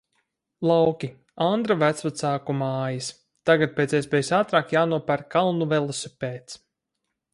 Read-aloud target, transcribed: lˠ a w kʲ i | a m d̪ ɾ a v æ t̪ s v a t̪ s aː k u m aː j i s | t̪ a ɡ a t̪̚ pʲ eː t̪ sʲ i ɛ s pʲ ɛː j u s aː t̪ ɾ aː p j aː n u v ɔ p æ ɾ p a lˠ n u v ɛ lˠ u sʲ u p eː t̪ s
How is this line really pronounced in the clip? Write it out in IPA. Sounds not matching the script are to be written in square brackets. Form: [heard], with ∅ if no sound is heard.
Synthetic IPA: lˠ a w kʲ i | a [n] d̪ ɾ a v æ t̪ s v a t̪ s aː k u m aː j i s | t̪ a ɡ a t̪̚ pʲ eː t̪ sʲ i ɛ s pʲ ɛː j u s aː t̪ ɾ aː [k] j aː n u [∅] ɔ p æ ɾ [k] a lˠ n u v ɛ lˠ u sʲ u p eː t̪ s